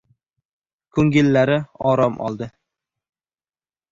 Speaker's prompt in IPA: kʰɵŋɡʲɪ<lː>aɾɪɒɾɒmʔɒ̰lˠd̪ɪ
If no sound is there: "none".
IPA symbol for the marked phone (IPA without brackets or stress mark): lː